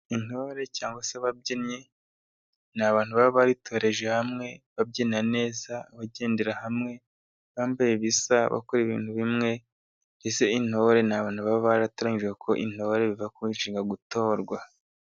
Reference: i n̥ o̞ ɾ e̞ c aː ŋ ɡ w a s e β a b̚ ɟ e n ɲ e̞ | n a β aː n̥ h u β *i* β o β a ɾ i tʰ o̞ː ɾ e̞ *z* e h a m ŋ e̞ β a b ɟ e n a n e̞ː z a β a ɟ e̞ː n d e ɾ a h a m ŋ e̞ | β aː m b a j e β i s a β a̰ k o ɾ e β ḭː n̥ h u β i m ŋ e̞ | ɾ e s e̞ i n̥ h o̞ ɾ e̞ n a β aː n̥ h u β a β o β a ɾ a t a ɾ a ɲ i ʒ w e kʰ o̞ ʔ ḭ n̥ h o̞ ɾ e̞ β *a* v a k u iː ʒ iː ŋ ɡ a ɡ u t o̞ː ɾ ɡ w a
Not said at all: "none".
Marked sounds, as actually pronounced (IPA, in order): a, ʒ, i

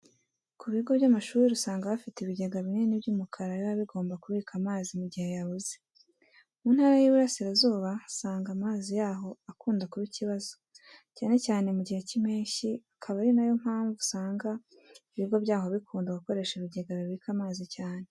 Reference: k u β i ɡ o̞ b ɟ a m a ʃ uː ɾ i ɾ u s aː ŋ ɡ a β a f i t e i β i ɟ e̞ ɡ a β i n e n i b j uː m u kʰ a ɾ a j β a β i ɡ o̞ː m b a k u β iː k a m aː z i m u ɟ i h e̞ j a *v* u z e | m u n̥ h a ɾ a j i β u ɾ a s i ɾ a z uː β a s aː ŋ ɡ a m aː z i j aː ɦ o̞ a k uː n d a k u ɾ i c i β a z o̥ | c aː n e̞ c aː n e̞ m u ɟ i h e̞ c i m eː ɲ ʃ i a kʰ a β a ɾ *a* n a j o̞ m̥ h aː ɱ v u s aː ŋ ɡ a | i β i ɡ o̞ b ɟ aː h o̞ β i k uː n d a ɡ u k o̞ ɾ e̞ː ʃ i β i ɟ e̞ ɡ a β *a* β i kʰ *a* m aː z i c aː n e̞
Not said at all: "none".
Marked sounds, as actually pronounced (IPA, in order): β, i, i, a

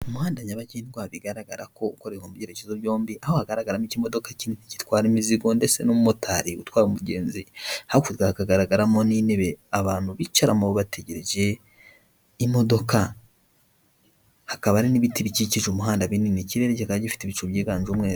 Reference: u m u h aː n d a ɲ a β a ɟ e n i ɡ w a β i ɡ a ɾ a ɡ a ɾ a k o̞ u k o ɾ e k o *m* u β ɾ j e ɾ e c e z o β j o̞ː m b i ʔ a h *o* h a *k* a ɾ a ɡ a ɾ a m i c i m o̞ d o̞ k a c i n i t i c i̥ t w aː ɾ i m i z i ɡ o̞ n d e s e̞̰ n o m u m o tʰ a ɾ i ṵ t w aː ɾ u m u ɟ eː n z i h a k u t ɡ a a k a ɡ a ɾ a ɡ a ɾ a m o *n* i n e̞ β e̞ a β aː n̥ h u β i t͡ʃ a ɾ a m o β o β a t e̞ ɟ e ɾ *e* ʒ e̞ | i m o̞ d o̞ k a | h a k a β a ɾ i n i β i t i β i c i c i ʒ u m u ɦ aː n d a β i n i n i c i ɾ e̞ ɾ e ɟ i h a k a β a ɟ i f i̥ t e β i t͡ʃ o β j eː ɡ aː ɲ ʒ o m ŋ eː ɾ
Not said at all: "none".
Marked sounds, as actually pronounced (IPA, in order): m, o, ɡ, n, e

